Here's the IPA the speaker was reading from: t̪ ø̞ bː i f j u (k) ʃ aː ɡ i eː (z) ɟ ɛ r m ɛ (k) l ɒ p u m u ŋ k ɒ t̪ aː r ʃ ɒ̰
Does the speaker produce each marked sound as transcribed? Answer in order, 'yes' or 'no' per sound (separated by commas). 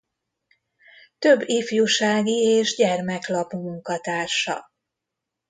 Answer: no, no, yes